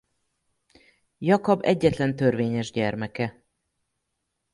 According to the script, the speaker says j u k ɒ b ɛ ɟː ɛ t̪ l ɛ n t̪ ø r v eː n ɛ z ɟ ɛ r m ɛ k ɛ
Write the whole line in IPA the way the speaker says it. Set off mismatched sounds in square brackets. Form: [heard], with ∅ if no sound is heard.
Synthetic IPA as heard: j [ɒ] k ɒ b ɛ ɟː ɛ t̪ l ɛ n t̪ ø r v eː [ɲ] ɛ [ʒ] ɟ ɛ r m ɛ k ɛ